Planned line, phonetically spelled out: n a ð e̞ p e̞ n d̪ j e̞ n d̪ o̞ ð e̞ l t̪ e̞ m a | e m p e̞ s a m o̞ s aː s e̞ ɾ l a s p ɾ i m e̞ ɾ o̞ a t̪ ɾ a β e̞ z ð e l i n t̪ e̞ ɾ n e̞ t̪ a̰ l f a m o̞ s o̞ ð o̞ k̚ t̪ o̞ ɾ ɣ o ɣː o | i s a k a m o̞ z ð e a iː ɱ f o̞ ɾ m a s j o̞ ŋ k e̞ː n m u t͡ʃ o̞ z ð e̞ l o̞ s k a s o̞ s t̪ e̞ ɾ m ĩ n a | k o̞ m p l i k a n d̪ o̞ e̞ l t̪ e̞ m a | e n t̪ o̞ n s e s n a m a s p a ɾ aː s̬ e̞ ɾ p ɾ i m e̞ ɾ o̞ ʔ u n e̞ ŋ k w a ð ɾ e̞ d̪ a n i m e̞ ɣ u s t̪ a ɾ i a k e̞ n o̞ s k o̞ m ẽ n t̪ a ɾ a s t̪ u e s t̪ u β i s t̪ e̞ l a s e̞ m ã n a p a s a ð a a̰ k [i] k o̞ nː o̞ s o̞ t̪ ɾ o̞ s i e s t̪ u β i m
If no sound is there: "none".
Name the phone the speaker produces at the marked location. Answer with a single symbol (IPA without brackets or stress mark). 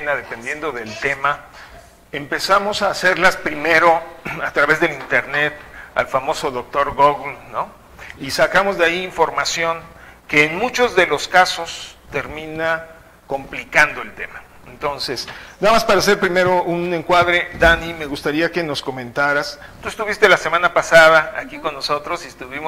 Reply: i